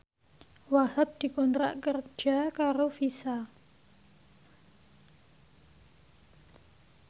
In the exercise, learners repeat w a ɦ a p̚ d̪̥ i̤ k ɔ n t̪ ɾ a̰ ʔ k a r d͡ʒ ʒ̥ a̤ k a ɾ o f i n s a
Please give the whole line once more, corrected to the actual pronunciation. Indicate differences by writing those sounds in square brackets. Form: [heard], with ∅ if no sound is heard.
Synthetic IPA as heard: w a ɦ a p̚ d̪̥ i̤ k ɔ n t̪ ɾ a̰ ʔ k [ə] r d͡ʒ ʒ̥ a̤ k a ɾ o f i [∅] s a